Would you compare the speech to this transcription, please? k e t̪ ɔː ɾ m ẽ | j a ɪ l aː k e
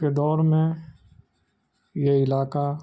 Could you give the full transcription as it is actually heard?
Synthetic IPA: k e d̪ ɔː ɾ m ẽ | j e ɪ l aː k a